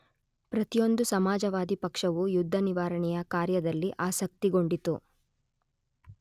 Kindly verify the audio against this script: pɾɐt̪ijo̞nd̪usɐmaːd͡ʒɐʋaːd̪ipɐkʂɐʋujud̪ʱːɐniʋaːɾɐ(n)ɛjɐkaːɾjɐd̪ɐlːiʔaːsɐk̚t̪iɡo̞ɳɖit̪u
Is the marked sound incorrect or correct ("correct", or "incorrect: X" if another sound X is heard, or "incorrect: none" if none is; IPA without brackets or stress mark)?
incorrect: ɳ